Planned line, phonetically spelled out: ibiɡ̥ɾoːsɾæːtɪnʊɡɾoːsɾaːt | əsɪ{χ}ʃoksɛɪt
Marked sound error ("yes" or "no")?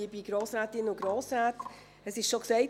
yes